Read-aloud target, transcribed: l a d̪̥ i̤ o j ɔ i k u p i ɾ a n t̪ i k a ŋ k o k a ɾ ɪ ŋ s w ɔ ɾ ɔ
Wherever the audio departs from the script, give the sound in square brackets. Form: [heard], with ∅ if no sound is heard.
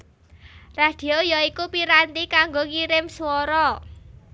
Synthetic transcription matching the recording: [r] a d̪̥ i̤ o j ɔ i k u p i ɾ a n t̪ i k a ŋ [ɡ] o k [i] ɾ ɪ [m] s w ɔ ɾ ɔ